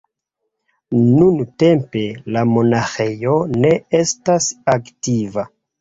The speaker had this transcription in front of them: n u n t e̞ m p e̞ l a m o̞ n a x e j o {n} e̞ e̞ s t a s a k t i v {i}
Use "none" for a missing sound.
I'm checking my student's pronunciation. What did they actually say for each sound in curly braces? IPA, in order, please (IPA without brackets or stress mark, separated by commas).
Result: n, a